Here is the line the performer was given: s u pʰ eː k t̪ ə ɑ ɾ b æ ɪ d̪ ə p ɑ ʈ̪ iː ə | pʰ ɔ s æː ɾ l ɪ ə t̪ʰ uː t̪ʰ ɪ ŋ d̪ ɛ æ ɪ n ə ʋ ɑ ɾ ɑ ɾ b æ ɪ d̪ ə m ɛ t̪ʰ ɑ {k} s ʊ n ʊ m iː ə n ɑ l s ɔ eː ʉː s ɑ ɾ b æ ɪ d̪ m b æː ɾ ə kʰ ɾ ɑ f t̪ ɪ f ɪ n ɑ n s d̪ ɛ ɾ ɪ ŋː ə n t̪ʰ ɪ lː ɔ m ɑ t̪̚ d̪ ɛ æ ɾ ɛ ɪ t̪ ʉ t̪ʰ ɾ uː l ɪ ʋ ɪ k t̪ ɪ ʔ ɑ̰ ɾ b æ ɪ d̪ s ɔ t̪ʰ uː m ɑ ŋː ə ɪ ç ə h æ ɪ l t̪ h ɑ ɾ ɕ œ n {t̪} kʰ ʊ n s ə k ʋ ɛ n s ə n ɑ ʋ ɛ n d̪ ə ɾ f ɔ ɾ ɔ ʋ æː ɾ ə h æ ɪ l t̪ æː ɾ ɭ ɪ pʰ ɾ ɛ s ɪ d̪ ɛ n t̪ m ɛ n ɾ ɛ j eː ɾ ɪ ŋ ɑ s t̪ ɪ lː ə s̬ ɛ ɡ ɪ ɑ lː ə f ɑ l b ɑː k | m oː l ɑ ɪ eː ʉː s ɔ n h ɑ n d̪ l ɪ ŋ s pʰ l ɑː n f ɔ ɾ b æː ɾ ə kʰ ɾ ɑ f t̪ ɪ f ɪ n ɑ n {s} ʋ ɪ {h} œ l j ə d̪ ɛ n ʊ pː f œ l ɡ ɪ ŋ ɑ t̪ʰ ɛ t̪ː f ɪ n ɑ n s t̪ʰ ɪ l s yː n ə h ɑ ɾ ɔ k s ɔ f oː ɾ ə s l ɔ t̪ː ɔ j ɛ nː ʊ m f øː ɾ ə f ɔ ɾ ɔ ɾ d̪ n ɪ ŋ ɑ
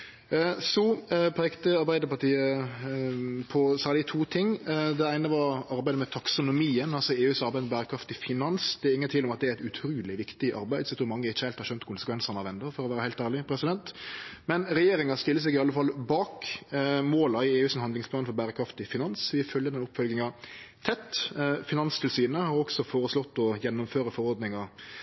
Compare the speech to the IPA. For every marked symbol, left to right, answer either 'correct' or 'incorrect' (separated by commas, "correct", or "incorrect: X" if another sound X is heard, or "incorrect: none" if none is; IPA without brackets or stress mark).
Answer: correct, correct, correct, incorrect: f